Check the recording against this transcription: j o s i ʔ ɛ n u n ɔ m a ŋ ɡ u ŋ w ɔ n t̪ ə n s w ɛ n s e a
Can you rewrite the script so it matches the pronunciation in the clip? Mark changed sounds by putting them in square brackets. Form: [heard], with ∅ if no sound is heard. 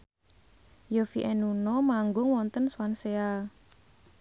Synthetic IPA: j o [f] i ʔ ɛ n u n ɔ m a ŋ ɡ [ʊ] ŋ w ɔ n t̪ ə n s w [a] n s e a

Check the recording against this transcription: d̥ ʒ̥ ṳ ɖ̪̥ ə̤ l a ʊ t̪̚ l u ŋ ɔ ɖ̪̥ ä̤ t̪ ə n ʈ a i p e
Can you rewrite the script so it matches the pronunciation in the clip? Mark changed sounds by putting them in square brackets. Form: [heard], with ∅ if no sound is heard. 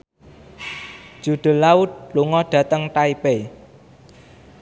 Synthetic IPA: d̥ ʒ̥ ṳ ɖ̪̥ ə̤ l a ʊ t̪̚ l u ŋ ɔ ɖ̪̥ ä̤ t̪ ə [ŋ] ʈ a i p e

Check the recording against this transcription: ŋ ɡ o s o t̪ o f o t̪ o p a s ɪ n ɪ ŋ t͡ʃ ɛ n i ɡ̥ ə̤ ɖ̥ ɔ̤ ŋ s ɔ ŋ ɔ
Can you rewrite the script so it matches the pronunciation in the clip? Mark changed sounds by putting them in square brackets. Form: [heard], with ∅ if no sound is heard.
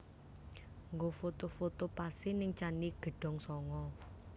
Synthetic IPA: ŋ ɡ o [f] o t̪ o f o t̪ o p a s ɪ n ɪ ŋ t͡ʃ [a] n i ɡ̥ ə̤ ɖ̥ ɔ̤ ŋ s ɔ ŋ ɔ

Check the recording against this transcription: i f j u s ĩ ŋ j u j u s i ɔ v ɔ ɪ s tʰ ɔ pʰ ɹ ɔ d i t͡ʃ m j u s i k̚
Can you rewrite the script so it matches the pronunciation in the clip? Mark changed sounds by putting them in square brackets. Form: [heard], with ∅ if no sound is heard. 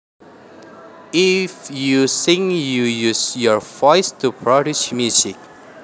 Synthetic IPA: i f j u s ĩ ŋ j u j u s [j] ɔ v ɔ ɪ s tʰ [u] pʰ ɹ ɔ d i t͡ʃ m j u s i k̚

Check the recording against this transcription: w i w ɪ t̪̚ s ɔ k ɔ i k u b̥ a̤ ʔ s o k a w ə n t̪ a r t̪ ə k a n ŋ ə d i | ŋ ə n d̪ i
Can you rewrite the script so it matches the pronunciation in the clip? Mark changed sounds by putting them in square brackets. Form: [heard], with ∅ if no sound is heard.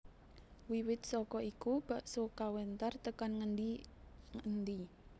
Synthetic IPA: w i w ɪ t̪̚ s ɔ k ɔ i k u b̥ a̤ ʔ s o k a w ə n t̪ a r t̪ ə k a n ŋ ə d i | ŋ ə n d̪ i

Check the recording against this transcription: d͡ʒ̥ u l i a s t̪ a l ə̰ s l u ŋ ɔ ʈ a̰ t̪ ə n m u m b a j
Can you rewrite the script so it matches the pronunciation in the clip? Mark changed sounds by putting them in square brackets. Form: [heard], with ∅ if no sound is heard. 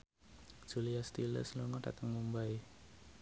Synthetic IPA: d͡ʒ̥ u l i a s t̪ [i] l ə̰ s l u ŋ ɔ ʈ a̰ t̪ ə [ŋ] m u m b a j

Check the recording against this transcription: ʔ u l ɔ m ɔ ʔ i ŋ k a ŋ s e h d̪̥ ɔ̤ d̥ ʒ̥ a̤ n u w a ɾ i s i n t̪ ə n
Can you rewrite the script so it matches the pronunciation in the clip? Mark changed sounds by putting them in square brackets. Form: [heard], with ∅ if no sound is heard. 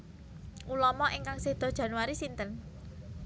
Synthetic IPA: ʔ u l ɔ m ɔ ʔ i ŋ k a ŋ s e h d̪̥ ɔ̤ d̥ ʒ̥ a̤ n u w a ɾ i s i n t̪ ə n

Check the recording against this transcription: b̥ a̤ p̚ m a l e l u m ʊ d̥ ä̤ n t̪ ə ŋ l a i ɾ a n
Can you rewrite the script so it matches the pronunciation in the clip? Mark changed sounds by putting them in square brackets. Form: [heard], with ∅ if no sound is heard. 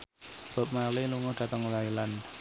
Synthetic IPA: b̥ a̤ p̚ m a l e l u [ŋ] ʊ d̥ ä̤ [∅] t̪ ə ŋ l a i [l] a n

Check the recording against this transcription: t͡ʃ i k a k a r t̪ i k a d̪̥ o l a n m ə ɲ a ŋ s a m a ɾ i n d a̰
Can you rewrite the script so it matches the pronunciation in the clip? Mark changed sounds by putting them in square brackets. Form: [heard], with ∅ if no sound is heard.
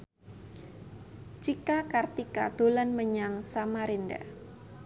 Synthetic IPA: t͡ʃ i k a k a r t̪ i k a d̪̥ o l a n m ə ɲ a ŋ s a m a ɾ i n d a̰

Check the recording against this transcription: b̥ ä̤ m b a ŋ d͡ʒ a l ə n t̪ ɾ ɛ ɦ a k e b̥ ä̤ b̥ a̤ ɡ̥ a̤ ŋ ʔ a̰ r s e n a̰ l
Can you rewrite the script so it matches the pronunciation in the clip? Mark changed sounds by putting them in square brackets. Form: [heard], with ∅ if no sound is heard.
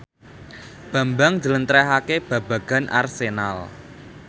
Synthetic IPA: b̥ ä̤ m b a ŋ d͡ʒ [ə] l ə n t̪ ɾ ɛ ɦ a k e b̥ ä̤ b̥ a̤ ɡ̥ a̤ [n] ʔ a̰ r s e n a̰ l

